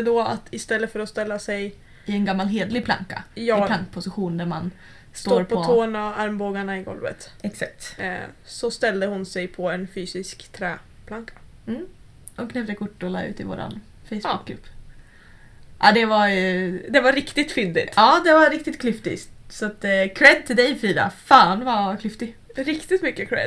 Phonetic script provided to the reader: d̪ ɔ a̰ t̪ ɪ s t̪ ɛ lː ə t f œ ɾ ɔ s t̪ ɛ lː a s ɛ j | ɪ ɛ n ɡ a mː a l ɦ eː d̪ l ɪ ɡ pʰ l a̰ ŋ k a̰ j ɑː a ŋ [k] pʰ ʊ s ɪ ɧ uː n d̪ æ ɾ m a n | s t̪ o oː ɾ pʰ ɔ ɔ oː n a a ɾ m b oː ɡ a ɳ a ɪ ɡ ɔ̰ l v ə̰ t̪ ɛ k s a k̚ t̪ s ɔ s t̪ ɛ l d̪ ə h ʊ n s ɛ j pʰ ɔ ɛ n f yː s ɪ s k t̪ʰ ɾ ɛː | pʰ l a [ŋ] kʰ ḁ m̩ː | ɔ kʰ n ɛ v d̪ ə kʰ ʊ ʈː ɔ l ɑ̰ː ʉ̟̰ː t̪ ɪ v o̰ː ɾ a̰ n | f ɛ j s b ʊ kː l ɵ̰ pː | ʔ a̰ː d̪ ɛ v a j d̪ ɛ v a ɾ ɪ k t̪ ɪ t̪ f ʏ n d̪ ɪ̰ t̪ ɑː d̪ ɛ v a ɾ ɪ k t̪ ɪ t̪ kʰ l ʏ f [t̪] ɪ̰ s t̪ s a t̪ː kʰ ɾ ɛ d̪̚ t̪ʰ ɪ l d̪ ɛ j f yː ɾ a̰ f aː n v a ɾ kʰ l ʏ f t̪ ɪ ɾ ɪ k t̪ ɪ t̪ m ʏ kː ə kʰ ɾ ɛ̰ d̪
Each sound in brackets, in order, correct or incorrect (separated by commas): correct, correct, correct